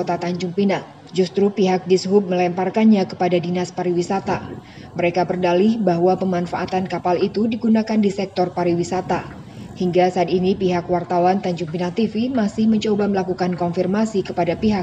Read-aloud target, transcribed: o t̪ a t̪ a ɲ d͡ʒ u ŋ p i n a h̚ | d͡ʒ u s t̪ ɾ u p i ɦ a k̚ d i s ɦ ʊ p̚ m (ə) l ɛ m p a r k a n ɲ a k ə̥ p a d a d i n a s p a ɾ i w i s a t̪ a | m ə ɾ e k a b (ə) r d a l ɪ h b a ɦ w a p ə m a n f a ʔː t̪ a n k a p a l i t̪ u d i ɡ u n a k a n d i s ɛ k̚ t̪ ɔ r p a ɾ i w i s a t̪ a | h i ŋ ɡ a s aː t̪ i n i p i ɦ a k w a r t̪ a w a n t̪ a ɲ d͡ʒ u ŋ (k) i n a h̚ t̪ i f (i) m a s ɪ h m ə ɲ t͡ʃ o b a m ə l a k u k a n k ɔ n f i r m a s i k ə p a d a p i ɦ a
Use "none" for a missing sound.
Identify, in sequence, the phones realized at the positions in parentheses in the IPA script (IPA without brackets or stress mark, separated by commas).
ə, ə, p, i